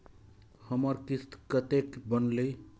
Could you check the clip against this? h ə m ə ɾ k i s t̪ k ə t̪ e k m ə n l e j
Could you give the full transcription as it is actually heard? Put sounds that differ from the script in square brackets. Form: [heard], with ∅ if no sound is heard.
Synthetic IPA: h ə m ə ɾ k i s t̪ k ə t̪ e k [b] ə n l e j